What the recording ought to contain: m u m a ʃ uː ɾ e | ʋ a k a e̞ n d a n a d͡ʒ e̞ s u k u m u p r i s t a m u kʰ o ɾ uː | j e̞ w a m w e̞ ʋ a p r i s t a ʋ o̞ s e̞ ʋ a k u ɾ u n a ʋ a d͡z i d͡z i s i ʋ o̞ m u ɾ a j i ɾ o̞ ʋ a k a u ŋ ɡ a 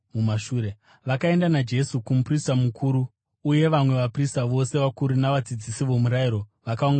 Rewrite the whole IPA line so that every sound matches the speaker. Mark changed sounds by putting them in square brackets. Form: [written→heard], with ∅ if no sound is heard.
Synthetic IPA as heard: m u m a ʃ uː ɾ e | ʋ a k a e̞ n d a n a d͡ʒ e̞ s u k u m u p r i s t a m u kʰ [o→u] ɾ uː | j e̞ [w→ʋ] a m w e̞ ʋ a p r i s t a ʋ o̞ s e̞ ʋ a k u ɾ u n a ʋ a d͡z i d͡z i s i ʋ o̞ m u ɾ a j i ɾ o̞ ʋ a k a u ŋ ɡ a

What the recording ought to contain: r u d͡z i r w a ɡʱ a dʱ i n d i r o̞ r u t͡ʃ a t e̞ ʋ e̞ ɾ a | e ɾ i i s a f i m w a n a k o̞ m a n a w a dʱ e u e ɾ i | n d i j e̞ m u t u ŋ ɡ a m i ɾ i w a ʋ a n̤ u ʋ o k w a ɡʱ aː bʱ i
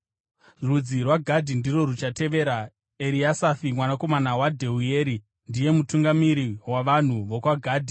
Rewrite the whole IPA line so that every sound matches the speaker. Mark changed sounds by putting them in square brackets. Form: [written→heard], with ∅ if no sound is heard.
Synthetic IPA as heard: r u d͡z i r w a ɡʱ a dʱ i n d i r o̞ r u t͡ʃ a t e̞ ʋ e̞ ɾ a | e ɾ i [i→a] s a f i m w a n a k o̞ m a n a w a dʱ e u e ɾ i | n d i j e̞ m u t u ŋ ɡ a m i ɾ i w a ʋ a n̤ u ʋ o k w a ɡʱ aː [bʱ→dʱ] i

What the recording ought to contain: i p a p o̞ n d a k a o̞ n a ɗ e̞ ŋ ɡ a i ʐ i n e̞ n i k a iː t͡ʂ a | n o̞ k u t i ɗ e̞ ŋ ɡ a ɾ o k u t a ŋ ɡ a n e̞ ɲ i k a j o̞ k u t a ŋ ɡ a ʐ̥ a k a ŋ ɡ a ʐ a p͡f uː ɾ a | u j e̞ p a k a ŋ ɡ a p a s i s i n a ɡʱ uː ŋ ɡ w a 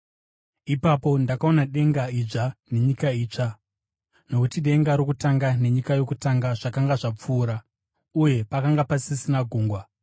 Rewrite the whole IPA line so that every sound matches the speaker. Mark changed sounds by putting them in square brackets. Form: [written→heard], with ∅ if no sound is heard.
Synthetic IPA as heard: i p a p o̞ n d a k a o̞ n a ɗ e̞ ŋ ɡ a i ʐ [i→a] n e̞ [n→ɲ] i k a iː t͡ʂ a | n o̞ k u t i ɗ e̞ ŋ ɡ a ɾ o k u t a ŋ ɡ a n e̞ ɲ i k a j o̞ k u t a ŋ ɡ a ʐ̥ a k a ŋ ɡ a ʐ a p͡f uː ɾ a | u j e̞ p a k a ŋ ɡ a p a s i s i n a ɡʱ uː ŋ ɡ w a

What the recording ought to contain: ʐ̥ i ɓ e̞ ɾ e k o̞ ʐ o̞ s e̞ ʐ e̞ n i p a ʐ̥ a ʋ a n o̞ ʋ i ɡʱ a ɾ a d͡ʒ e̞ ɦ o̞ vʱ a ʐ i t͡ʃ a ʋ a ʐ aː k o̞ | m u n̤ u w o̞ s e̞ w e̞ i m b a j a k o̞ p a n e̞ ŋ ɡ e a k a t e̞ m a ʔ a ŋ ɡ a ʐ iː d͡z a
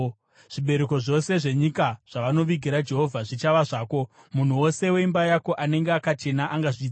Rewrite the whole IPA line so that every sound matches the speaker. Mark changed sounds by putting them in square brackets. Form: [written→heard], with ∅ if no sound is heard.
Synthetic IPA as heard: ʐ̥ i ɓ e̞ ɾ e k o̞ ʐ o̞ s e̞ ʐ e̞ [n→ɲ] i [p→k] a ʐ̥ a ʋ a n o̞ ʋ i ɡʱ [a→i] ɾ a d͡ʒ e̞ ɦ o̞ vʱ a ʐ i t͡ʃ a ʋ a ʐ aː k o̞ | m u n̤ u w o̞ s e̞ w e̞ i m b a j a k o̞ [p→ʔ] a n e̞ ŋ ɡ e a k a [t→t͡ʃ] e̞ [m→n] a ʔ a ŋ ɡ a ʐ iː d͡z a

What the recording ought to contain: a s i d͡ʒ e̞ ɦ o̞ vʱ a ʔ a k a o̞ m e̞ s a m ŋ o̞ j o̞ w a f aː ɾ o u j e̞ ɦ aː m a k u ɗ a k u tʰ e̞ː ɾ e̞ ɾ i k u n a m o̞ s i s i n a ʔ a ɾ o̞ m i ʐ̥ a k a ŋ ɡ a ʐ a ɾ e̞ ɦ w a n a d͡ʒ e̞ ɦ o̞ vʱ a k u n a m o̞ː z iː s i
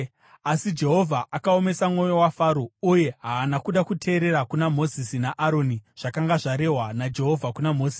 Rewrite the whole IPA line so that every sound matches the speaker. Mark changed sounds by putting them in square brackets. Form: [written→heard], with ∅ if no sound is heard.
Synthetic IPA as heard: a s i d͡ʒ e̞ ɦ o̞ vʱ a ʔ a k a o̞ m e̞ s a m ŋ o̞ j o̞ w a f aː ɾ o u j e̞ ɦ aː [m→n] a k u ɗ a k u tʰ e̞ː ɾ e̞ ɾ [i→a] k u n a m o̞ [s→z] i s i n a ʔ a ɾ o̞ [m→n] i ʐ̥ a k a ŋ ɡ a ʐ a ɾ e̞ ɦ w a n a d͡ʒ e̞ ɦ o̞ vʱ a k u n a m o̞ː z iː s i

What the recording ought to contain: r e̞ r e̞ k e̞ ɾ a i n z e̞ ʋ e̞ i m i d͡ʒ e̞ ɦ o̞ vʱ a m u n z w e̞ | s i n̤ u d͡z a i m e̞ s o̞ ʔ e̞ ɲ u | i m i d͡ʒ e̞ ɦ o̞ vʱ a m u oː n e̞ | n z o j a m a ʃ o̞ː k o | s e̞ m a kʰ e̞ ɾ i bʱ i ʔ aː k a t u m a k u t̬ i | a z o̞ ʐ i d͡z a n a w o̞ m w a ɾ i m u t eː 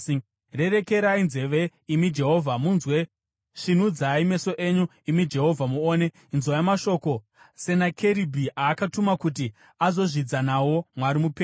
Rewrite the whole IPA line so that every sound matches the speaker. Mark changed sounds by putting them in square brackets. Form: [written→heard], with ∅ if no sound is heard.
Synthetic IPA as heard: r e̞ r e̞ k e̞ ɾ a i n z e̞ ʋ e̞ i m i d͡ʒ e̞ ɦ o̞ vʱ a m u n z w e̞ | [s→ʂ] i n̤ u d͡z a i m e̞ s o̞ ʔ e̞ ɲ u | i m i d͡ʒ e̞ ɦ o̞ vʱ a m u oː n e̞ | n z o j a m a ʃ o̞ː k o | s e̞ [m→n] a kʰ e̞ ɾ i bʱ i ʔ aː k a t u m a k u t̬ i | a z o̞ ʐ i d͡z a n a w o̞ m w a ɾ i m u [t→p] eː

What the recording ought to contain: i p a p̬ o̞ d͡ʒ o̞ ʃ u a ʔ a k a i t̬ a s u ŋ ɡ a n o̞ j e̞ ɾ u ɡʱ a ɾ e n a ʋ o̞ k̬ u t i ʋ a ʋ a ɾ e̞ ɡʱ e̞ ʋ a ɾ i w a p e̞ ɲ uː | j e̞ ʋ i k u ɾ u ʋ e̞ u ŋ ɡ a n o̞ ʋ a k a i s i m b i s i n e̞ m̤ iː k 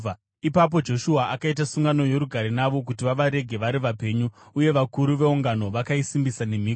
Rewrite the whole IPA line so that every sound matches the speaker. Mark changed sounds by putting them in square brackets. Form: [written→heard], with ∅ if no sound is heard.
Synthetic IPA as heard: i p a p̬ o̞ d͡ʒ o̞ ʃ u a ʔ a k a i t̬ a s u ŋ ɡ a n o̞ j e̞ ɾ u ɡʱ a ɾ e n a ʋ o̞ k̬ u t i ʋ a ʋ a ɾ e̞ ɡʱ e̞ ʋ a ɾ i [w→ʋ] a p e̞ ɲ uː | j e̞ ʋ [i→a] k u ɾ u ʋ e̞ u ŋ ɡ a n o̞ ʋ a k a i s i m b i s [i→a] n e̞ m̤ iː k

